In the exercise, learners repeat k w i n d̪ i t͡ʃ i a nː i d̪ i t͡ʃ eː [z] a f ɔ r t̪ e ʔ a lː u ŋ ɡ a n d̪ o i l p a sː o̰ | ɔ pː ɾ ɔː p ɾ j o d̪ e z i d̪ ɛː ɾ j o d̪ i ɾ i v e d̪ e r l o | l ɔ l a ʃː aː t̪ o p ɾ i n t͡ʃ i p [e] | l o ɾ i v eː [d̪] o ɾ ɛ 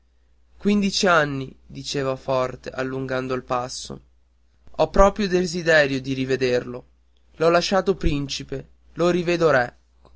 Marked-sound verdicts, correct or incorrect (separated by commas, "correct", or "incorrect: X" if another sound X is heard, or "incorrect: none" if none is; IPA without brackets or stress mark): incorrect: v, correct, correct